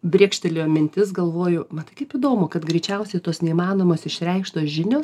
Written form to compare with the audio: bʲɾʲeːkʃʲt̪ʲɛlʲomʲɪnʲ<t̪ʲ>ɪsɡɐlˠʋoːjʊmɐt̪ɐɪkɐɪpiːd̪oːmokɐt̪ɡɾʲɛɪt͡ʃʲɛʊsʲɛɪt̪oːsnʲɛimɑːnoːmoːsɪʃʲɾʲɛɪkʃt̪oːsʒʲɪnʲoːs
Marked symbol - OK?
yes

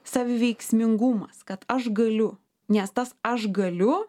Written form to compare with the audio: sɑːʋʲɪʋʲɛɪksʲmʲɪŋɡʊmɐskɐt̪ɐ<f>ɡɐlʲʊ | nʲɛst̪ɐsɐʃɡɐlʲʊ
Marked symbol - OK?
no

